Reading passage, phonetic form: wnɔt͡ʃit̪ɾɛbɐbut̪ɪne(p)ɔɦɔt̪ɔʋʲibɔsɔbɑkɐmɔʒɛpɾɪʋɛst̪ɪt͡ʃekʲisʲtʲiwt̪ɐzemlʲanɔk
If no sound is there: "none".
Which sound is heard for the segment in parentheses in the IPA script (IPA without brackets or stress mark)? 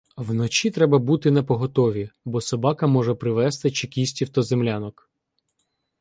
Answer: p